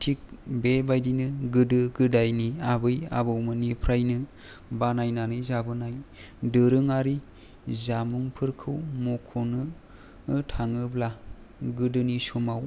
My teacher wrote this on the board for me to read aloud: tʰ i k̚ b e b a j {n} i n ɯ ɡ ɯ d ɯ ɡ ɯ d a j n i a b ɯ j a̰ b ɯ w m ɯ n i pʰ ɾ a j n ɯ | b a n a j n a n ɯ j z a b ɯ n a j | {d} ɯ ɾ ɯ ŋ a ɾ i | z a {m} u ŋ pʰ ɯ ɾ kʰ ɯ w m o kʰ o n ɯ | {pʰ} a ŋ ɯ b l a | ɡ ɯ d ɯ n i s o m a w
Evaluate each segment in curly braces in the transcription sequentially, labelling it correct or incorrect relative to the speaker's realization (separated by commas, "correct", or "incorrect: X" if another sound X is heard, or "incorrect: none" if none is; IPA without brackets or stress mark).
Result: incorrect: d, correct, correct, incorrect: tʰ